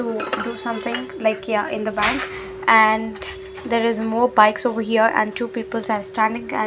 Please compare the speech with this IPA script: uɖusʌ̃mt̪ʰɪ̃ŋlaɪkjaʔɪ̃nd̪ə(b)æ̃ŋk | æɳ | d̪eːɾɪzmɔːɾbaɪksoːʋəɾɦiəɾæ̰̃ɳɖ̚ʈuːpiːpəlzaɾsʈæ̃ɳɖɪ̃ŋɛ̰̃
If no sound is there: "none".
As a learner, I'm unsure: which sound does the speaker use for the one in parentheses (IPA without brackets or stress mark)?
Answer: b